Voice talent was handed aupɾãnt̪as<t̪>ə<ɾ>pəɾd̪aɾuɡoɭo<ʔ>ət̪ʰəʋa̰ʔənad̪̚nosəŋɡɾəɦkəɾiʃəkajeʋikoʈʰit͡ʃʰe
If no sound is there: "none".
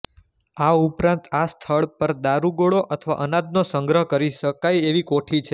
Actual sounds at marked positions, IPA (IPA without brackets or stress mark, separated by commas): t̪ʰ, ɭ, ʔ